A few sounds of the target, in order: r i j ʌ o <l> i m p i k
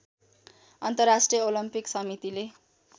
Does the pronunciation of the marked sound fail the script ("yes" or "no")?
no